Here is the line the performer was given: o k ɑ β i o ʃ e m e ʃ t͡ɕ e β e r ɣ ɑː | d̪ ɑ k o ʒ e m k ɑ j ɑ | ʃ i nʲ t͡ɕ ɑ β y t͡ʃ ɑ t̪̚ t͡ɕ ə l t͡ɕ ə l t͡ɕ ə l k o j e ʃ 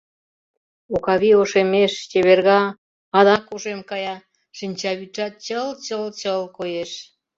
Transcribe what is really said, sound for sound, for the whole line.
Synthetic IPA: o k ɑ β i o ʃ e m e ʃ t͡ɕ e β e r ɣ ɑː | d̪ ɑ k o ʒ e m k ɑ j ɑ | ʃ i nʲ t͡ɕ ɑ β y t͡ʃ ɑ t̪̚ t͡ɕ ə l t͡ɕ ə l t͡ɕ ə l k o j e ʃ